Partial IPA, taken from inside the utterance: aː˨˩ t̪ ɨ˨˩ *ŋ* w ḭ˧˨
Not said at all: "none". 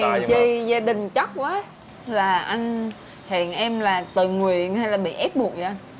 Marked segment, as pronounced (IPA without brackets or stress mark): ŋ